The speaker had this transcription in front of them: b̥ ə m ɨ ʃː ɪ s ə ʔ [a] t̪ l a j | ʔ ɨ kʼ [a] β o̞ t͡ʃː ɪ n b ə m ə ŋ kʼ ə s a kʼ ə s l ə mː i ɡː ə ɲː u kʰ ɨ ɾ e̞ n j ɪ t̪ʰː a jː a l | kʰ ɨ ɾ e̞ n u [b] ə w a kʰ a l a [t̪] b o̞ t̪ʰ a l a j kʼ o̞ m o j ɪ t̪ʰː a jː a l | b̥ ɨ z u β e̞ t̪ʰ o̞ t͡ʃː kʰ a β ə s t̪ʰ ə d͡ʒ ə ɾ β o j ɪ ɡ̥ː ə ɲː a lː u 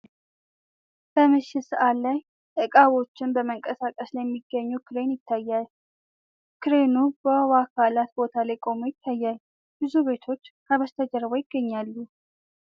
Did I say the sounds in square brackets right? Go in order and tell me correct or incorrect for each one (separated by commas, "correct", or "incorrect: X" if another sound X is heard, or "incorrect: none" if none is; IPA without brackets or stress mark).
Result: correct, correct, correct, correct